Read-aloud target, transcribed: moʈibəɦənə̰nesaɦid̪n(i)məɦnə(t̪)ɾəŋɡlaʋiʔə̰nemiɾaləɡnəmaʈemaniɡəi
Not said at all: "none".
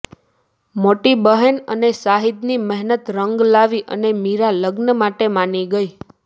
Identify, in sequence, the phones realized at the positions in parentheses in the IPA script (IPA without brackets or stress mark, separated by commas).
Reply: i, t̪